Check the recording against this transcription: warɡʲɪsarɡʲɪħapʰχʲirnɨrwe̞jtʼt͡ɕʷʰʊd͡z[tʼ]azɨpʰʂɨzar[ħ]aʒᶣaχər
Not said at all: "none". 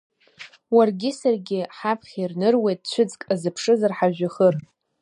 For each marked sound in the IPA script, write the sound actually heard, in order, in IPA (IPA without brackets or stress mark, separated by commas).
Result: kʼ, ħ